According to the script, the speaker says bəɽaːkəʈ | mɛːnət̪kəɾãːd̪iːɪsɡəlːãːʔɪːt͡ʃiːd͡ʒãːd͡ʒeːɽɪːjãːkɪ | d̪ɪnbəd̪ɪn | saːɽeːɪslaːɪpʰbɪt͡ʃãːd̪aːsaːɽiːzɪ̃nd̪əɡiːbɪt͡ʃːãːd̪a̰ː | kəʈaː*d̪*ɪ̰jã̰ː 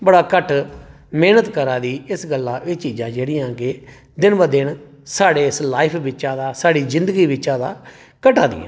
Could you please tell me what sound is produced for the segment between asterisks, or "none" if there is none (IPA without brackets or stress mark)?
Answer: d̪